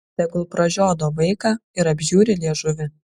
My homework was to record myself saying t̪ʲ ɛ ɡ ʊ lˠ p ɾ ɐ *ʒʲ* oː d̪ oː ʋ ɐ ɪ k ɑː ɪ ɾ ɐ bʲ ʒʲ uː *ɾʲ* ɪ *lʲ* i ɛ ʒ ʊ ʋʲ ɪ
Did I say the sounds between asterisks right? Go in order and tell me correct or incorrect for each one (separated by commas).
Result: correct, correct, correct